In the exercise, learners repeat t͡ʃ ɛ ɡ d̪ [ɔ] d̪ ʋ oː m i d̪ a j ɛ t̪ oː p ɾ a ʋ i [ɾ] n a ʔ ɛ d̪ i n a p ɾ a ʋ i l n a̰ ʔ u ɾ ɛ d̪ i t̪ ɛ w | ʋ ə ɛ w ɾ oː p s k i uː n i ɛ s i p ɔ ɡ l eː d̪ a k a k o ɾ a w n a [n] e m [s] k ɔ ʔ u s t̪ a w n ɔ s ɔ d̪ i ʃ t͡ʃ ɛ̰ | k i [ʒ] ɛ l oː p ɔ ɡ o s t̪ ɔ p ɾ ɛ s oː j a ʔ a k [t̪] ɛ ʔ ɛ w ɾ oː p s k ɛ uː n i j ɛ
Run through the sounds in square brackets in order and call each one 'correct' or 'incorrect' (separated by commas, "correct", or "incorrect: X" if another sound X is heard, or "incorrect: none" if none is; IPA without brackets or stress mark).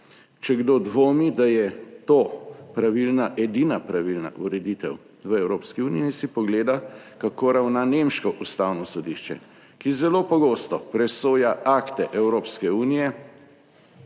incorrect: o, incorrect: l, correct, incorrect: ʃ, incorrect: z, correct